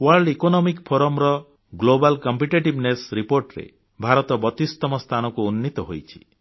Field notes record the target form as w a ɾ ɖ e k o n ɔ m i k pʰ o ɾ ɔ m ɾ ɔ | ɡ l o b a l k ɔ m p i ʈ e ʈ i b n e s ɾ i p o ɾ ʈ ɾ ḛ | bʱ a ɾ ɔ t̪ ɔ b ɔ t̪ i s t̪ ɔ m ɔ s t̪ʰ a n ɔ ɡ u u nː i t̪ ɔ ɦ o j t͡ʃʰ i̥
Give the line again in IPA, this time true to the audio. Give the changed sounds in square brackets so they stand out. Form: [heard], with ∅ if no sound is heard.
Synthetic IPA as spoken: w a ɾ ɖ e k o n ɔ m i k pʰ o ɾ ɔ m ɾ ɔ | ɡ l o b a l k ɔ m p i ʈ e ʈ i b n e s ɾ i p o ɾ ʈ ɾ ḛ | bʱ a ɾ ɔ t̪ ɔ b ɔ t̪ i s t̪ ɔ m ɔ s t̪ʰ a n ɔ [k] u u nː i t̪ ɔ ɦ o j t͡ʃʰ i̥